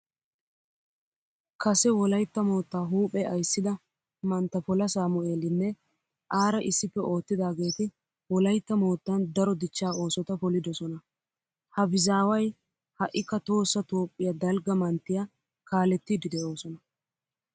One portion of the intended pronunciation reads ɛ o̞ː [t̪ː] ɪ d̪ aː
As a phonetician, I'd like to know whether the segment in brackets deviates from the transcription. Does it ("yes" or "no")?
no